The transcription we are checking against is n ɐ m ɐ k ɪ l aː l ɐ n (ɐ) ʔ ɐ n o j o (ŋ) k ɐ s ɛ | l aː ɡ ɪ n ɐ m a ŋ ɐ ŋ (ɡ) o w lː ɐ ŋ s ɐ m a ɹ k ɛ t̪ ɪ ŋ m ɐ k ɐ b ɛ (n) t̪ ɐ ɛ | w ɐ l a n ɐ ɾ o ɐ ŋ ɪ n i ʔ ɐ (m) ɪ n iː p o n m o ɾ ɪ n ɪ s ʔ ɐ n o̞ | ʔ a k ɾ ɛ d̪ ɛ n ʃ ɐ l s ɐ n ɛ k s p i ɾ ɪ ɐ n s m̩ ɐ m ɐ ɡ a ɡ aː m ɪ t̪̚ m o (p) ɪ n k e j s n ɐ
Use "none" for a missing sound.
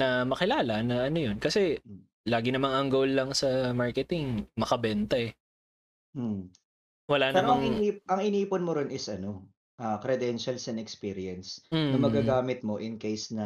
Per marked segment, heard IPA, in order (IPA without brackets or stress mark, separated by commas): ɐ, n, ɡ, n, ŋ, ʔ